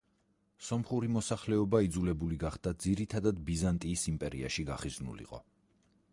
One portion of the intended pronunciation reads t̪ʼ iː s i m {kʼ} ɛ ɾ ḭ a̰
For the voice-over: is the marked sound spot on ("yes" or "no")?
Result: no